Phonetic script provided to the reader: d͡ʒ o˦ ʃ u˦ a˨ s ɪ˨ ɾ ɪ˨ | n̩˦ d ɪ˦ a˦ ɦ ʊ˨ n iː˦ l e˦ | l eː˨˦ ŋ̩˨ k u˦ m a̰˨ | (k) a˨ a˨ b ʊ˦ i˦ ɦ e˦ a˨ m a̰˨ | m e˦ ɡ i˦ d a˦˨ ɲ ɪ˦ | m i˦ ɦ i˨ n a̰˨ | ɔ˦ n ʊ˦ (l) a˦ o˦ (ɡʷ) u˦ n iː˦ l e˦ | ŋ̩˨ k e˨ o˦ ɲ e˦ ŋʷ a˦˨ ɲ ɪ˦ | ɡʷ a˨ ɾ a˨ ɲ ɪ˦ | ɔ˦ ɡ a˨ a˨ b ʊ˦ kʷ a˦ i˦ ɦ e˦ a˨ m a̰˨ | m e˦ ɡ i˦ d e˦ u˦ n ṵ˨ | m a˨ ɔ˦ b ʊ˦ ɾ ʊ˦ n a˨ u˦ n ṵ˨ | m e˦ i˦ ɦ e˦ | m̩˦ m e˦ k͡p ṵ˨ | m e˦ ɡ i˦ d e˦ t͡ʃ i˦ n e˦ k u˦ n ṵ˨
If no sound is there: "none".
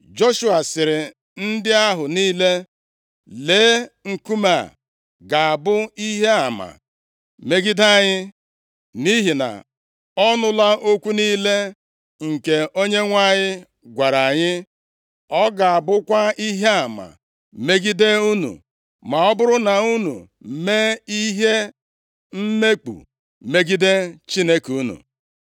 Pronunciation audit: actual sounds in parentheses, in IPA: ɡ, l, kʷ

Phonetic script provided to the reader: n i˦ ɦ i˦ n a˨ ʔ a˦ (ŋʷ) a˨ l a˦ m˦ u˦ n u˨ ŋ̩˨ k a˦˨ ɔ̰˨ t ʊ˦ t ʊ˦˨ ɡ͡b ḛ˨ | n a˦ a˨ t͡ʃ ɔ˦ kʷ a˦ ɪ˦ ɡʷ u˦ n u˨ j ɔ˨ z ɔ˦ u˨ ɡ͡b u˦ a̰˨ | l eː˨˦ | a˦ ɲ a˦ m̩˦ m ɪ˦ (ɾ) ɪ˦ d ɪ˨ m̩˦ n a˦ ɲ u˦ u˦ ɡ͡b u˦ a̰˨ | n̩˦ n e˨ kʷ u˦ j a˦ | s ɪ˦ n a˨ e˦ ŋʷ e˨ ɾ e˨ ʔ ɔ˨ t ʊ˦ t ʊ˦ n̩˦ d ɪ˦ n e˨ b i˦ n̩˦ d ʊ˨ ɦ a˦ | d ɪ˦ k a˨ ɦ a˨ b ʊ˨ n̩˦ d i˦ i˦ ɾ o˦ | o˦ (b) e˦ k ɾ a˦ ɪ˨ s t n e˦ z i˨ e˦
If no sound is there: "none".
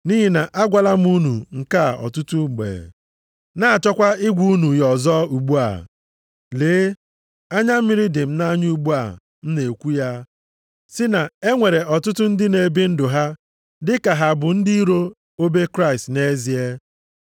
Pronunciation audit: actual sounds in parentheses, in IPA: ɡʷ, ɾ, b

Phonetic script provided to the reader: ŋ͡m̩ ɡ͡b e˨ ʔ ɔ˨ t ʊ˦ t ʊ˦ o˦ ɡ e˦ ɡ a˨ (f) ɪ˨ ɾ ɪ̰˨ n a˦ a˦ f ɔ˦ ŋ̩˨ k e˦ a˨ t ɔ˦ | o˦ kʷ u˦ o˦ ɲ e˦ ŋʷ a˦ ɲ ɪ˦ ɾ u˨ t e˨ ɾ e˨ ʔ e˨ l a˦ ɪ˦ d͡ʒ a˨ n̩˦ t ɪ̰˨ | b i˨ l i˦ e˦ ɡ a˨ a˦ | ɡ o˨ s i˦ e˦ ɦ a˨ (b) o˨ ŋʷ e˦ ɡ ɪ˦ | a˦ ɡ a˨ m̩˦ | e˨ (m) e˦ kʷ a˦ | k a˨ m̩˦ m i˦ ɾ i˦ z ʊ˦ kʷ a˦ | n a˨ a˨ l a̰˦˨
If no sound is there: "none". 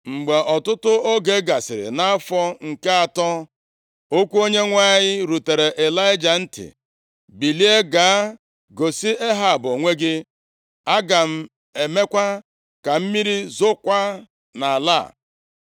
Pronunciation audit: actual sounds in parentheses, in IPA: s, b, m

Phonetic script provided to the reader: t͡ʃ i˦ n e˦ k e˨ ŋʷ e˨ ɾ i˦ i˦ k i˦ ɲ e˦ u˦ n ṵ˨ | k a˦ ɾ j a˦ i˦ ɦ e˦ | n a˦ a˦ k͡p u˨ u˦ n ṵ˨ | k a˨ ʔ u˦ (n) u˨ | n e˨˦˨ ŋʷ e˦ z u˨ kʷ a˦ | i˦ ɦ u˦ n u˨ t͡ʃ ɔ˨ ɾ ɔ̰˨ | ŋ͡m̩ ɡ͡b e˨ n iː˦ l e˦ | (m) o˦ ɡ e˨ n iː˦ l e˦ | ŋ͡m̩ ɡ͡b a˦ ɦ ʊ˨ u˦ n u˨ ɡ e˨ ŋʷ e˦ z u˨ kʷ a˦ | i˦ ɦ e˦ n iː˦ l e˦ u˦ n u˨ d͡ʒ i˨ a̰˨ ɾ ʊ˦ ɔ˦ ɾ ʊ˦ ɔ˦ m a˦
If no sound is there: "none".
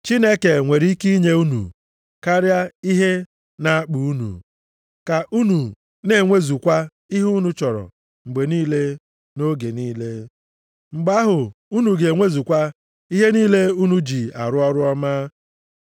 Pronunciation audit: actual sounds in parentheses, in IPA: n, n

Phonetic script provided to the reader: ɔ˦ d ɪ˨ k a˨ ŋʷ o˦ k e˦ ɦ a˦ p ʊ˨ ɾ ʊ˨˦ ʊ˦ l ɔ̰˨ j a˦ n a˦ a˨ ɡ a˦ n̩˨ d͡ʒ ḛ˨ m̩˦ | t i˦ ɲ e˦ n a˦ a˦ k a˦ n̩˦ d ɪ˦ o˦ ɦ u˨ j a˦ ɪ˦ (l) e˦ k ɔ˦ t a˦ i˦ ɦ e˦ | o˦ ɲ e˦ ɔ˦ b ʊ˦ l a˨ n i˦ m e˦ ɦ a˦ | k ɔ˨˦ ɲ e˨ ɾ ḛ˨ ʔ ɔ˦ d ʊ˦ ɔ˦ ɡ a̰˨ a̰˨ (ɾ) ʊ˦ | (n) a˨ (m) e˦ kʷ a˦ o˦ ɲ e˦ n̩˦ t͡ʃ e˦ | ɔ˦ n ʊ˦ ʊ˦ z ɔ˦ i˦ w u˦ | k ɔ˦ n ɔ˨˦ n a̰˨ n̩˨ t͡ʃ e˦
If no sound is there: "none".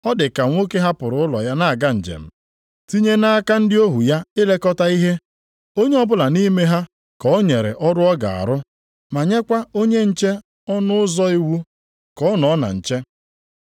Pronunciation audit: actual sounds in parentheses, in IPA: l, ɾ, m, ɲ

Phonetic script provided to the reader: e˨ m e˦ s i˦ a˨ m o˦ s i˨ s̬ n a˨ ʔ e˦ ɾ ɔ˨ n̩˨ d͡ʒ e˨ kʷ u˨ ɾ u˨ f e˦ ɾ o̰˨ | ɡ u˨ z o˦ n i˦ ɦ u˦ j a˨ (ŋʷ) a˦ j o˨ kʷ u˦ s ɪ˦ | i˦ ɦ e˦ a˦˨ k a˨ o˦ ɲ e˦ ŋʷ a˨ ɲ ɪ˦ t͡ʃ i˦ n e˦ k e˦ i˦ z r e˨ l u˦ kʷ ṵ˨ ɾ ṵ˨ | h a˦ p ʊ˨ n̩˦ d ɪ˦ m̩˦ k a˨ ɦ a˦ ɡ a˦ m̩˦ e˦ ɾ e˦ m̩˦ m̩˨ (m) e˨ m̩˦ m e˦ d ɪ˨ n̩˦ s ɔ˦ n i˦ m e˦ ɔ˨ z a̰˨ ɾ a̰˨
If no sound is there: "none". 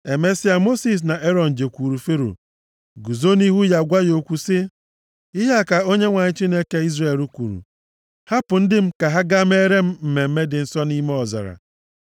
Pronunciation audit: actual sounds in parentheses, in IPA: ɡʷ, m

